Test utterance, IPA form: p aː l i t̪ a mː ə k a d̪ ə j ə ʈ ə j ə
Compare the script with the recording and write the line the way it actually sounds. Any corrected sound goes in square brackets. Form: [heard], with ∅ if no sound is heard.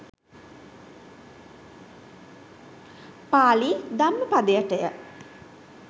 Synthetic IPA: p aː l i [d̪] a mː ə [p] a d̪ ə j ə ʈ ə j ə